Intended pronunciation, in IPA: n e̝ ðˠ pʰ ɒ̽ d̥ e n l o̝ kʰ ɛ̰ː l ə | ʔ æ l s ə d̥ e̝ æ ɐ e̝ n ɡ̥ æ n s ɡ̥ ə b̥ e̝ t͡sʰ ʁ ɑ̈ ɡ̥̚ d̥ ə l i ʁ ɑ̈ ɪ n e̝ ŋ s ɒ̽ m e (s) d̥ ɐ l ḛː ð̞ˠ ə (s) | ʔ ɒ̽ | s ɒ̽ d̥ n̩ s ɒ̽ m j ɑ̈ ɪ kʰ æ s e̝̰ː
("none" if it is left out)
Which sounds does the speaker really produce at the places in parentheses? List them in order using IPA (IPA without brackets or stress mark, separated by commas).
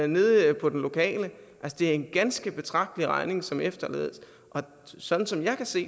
f, s